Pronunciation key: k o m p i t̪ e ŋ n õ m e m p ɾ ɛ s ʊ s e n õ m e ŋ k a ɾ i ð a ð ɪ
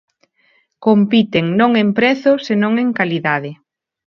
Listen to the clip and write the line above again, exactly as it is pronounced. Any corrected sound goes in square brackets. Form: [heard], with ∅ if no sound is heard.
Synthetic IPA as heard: k o m p i t̪ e ŋ n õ [ŋ] e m p ɾ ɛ [θ] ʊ s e n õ [ŋ] e ŋ k a [l] i ð a ð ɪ